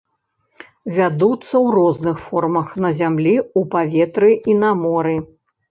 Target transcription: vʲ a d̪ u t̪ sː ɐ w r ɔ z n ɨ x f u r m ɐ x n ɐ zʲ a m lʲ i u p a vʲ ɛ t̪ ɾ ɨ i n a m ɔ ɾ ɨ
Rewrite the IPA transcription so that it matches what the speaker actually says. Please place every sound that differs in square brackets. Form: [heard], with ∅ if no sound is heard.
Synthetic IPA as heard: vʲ a d̪ u t̪ sː ɐ w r ɔ z n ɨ x f [ɔ] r m ɐ x n ɐ zʲ a m lʲ i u p a vʲ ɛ t̪ ɾ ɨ i n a m ɔ ɾ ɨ